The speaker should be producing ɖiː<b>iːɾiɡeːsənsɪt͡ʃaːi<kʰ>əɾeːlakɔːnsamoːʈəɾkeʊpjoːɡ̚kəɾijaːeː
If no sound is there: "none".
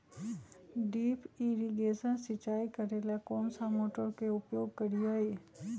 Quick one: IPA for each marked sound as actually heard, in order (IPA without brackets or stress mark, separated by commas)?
p, k